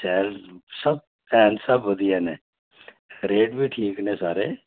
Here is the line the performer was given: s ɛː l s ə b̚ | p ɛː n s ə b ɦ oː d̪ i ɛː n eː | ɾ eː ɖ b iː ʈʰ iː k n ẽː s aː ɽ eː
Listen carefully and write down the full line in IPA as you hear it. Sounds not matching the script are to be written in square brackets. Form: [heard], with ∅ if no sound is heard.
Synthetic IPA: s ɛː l s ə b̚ | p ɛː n s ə b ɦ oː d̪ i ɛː n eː | ɾ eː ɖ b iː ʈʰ iː k n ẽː s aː [ɾ] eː